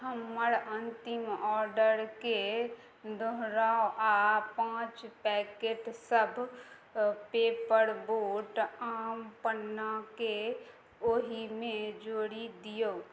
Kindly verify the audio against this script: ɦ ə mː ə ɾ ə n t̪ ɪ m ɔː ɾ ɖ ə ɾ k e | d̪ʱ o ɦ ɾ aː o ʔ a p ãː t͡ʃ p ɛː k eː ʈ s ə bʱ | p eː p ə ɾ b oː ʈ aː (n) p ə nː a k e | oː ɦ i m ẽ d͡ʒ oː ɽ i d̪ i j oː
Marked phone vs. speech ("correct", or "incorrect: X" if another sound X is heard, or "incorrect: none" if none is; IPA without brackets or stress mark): incorrect: m